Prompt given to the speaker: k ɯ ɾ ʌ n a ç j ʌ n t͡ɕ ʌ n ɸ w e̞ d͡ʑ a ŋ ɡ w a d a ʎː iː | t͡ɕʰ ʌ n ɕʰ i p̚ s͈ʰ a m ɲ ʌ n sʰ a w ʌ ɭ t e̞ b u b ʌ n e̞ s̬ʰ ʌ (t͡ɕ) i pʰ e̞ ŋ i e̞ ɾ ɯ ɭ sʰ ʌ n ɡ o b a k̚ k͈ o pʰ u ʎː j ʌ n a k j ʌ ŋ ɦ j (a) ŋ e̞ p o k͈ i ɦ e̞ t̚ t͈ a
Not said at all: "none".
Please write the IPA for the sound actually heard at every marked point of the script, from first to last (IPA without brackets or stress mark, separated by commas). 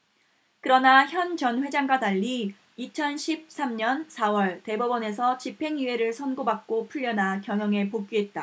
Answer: t͡ɕ, ʌ